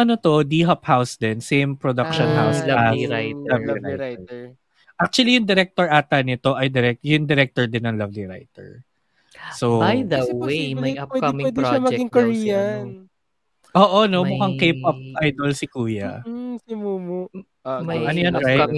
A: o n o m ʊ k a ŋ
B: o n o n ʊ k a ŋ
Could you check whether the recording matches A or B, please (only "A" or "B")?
A